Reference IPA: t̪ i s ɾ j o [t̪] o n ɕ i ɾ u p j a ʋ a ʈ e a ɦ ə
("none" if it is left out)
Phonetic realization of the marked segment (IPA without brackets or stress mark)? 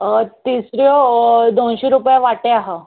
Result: d̪